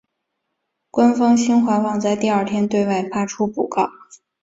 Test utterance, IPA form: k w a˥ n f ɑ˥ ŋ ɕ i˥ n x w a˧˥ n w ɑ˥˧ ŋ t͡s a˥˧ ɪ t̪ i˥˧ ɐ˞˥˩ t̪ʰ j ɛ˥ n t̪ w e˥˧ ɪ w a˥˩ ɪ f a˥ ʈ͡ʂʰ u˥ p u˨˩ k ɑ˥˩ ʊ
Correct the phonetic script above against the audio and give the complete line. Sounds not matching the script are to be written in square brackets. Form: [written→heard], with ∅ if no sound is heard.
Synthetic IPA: k w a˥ n f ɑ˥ ŋ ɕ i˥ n x w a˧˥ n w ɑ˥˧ ŋ t͡s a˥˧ ɪ t̪ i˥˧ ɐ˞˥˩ t̪ʰ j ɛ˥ n t̪ w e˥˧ ɪ w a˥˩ ɪ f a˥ ʈ͡ʂʰ u˥ p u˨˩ k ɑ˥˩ ʊ